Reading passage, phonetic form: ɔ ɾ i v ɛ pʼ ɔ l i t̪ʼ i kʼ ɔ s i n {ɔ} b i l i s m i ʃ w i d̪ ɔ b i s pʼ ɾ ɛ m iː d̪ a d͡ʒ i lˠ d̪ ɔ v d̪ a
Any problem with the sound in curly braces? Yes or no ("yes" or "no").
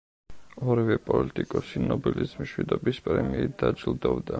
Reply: no